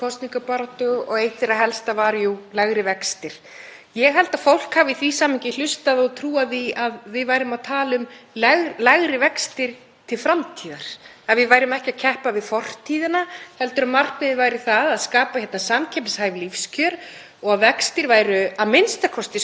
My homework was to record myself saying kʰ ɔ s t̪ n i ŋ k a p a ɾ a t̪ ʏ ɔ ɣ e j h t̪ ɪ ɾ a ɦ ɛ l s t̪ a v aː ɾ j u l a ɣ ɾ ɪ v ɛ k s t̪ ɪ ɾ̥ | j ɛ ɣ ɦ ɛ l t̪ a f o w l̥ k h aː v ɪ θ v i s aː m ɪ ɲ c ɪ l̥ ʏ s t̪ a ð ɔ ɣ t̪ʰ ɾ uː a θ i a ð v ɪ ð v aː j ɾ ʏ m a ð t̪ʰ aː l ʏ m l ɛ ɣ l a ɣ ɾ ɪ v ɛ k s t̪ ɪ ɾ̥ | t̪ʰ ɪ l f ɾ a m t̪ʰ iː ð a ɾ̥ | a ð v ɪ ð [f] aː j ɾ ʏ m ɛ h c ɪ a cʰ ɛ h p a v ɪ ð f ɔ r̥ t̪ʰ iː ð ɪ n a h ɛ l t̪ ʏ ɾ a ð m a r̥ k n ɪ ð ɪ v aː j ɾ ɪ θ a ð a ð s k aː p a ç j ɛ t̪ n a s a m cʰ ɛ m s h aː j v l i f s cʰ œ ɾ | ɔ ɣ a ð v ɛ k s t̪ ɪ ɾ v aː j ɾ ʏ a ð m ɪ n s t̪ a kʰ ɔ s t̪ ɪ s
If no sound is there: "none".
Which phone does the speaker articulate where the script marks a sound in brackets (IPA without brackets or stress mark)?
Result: v